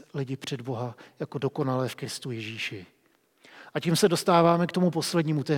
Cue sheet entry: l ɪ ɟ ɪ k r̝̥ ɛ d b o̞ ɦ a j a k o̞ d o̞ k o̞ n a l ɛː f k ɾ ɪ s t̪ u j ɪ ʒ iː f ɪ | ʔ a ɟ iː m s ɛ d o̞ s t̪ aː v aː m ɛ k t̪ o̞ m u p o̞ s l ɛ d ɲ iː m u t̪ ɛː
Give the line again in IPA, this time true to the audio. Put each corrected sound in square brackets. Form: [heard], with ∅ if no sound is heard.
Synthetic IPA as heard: l ɪ ɟ ɪ [p] r̝̥ ɛ d b o̞ ɦ a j a k o̞ d o̞ k o̞ n a l ɛː f k ɾ ɪ s t̪ u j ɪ ʒ iː [ʃ] ɪ | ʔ a [c] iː m s ɛ d o̞ s t̪ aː v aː m ɛ k t̪ o̞ m u p o̞ s l ɛ d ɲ iː m u t̪ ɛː